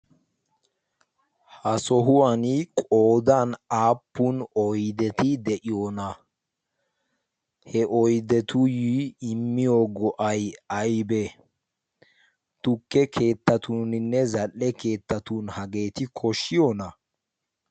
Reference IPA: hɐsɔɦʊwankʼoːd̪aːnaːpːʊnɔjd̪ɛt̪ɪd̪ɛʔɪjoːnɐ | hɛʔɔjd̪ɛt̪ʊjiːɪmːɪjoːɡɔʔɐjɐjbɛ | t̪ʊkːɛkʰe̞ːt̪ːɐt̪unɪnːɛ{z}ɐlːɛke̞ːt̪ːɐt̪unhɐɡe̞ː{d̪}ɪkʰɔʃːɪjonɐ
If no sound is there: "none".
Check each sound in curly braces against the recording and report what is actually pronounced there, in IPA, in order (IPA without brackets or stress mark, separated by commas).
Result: z, t̪